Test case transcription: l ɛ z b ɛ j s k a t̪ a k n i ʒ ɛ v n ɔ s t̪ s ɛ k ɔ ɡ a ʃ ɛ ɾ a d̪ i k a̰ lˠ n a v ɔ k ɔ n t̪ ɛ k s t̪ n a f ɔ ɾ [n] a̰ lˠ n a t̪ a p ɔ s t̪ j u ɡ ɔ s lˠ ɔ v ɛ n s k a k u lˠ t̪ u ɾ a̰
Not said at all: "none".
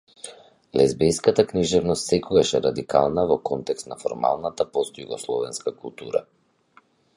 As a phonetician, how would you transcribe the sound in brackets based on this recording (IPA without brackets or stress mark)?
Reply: m